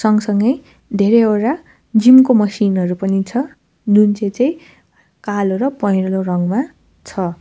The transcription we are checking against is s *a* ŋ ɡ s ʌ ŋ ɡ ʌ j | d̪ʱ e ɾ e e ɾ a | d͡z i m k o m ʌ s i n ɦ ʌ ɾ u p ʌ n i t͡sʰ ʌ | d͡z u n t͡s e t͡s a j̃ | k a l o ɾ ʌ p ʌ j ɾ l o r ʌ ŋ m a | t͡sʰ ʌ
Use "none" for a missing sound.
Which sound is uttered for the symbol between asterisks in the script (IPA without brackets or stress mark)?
ʌ